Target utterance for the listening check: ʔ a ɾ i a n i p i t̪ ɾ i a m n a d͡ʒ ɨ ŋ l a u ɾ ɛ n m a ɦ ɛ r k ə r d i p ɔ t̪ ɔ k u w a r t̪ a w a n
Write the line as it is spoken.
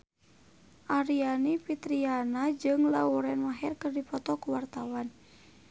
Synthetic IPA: ʔ a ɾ i a n i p i t̪ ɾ i a n a d͡ʒ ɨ ŋ l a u ɾ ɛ n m a ɦ ɛ r k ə r d i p ɔ t̪ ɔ k u w a r t̪ a w a n